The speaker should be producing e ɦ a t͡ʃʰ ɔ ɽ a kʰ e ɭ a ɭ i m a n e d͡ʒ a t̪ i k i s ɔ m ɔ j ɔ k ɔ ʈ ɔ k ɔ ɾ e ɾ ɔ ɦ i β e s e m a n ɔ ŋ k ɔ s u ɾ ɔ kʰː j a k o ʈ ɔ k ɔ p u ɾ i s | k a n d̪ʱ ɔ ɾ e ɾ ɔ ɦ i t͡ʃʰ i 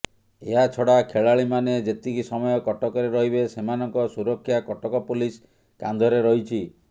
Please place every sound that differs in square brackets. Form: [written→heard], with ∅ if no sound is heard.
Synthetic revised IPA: e ɦ a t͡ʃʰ ɔ ɽ a kʰ e ɭ a ɭ i m a n e d͡ʒ [a→e] t̪ i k i s ɔ m ɔ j ɔ k ɔ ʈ ɔ k ɔ ɾ e ɾ ɔ ɦ i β e s e m a n ɔ ŋ k ɔ s u ɾ ɔ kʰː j a k [o→ɔ] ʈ ɔ k ɔ p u [ɾ→l] i s | k a n d̪ʱ ɔ ɾ e ɾ ɔ ɦ i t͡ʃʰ i